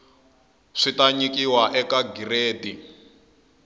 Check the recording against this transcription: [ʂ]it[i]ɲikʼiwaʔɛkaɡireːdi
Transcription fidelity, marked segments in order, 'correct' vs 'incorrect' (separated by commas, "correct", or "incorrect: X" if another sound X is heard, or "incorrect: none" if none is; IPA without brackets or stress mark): correct, incorrect: a